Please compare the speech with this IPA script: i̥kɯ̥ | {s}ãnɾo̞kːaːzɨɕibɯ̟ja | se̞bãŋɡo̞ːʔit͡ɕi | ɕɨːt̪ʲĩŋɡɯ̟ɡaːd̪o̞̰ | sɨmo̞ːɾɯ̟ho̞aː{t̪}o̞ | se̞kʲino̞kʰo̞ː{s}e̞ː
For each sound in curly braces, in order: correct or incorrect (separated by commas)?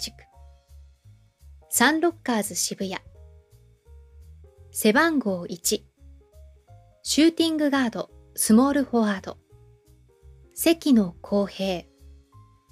correct, incorrect, incorrect